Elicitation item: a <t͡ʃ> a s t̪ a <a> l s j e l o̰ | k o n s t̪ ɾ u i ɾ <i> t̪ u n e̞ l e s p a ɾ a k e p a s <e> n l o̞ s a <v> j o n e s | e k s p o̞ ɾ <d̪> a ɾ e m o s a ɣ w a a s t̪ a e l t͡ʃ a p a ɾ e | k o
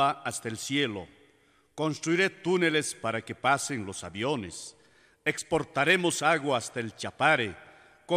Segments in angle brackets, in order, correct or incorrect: incorrect: none, incorrect: e, incorrect: e, correct, incorrect: β, incorrect: t̪

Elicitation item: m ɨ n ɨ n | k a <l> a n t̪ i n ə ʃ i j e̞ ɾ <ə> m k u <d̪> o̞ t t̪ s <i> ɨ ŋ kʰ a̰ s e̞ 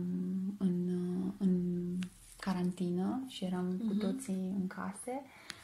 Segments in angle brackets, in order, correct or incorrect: incorrect: ɾ, incorrect: a, incorrect: t̪, correct

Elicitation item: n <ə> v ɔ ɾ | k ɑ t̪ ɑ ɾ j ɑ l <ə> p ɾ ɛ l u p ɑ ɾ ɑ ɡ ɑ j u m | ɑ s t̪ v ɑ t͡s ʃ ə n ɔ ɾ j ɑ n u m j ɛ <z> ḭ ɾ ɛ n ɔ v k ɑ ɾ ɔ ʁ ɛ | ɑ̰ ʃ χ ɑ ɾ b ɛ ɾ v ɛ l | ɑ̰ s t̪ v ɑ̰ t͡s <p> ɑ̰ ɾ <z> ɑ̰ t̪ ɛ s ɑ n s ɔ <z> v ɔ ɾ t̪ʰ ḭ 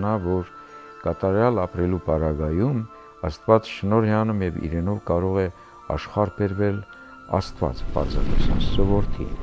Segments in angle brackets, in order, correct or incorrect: incorrect: ɑ, incorrect: ɑ, incorrect: v, correct, correct, incorrect: none

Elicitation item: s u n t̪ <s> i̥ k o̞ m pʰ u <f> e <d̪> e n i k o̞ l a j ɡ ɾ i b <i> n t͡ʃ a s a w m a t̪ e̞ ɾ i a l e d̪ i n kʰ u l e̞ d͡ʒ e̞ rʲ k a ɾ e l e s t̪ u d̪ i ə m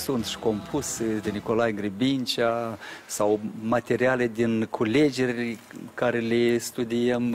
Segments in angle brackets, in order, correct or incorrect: incorrect: ʃ, incorrect: s, correct, correct

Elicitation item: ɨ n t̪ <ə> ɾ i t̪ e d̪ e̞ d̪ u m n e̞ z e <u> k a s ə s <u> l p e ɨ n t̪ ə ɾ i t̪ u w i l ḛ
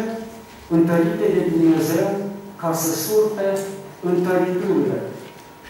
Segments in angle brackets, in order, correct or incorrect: correct, incorrect: w, correct

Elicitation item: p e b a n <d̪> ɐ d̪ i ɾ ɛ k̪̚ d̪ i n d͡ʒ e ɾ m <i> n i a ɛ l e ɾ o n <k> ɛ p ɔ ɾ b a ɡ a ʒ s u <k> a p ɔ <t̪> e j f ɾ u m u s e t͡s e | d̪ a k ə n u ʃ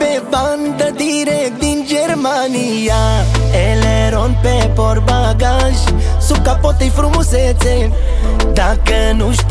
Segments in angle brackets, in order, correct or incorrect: correct, incorrect: a, incorrect: p, correct, correct

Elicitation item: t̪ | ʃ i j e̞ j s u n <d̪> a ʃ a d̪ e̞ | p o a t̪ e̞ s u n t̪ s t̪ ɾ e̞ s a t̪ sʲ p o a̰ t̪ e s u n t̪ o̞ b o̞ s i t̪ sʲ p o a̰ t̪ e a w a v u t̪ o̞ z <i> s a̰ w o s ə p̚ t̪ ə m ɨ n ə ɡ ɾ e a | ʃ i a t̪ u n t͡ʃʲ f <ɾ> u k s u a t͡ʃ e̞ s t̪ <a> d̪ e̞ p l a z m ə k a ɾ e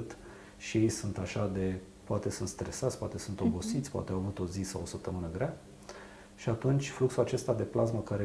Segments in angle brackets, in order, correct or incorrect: incorrect: t̪, correct, incorrect: l, correct

